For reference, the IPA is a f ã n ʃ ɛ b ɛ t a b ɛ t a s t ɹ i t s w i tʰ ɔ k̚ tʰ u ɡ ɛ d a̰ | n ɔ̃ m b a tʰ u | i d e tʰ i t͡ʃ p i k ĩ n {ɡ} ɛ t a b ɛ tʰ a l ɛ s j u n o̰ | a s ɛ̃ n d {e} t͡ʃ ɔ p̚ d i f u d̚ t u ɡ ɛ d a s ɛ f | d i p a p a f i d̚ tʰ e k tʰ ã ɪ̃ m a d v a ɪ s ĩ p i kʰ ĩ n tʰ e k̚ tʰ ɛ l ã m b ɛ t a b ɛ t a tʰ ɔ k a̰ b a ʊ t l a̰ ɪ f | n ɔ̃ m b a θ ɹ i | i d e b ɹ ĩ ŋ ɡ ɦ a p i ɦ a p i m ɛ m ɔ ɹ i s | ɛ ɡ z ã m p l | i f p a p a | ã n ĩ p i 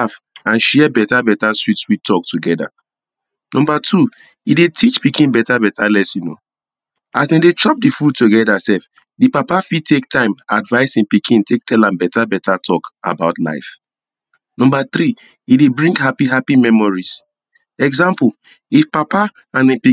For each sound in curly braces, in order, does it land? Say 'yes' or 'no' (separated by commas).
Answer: no, yes